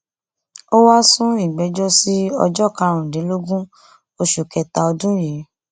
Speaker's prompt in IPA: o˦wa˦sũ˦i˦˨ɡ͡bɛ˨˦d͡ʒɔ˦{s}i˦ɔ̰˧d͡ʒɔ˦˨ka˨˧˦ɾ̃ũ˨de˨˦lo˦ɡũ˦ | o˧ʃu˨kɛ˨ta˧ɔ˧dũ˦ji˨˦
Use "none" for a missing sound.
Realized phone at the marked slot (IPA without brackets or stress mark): s